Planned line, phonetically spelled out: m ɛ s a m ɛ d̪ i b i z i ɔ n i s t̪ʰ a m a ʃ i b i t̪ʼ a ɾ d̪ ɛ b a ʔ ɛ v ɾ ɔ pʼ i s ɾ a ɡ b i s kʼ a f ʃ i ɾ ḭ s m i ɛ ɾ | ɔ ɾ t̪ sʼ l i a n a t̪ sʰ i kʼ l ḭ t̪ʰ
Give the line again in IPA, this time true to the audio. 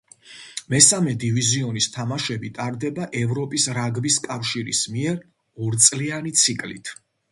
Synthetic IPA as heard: m ɛ s a m ɛ d̪ i v i z i ɔ n i s t̪ʰ a m a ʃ ɛ b i t̪ʼ a ɾ d̪ ɛ b a ʔ ɛ v ɾ ɔ pʼ i s ɾ a ɡ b i s kʼ a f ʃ i ɾ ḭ s m i ɛ ɾ | ɔ ɾ t̪ sʼ l i a n i t̪ sʰ i kʼ l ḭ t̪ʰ